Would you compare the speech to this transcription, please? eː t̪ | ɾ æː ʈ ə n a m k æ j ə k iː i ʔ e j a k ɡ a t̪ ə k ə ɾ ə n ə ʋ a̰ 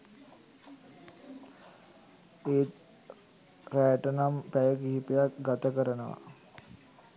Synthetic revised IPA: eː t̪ | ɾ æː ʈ ə n a m p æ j ə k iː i p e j a k ɡ a t̪ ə k ə ɾ ə n ə ʋ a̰